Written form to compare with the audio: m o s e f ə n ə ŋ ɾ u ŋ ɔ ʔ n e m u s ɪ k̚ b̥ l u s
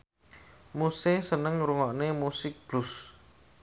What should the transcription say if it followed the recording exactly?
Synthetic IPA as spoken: m u s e s ə n ə ŋ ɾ u ŋ ɔ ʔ n e m u s ɪ k̚ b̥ l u s